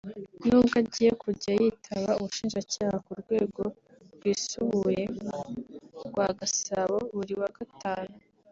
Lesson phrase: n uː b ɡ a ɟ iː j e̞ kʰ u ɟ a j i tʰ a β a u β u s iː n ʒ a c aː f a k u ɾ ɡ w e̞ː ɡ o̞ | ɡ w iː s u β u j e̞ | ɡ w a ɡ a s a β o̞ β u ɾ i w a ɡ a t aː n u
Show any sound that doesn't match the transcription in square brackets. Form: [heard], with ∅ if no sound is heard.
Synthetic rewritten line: n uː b ɡ a ɟ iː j e̞ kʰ u ɟ a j i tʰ a β a u β u [ʃ] iː n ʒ a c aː [h] a k u ɾ ɡ w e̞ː ɡ o̞ | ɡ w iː s u β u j e̞ | ɡ w a ɡ a s a β o̞ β u ɾ i w a ɡ a t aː n u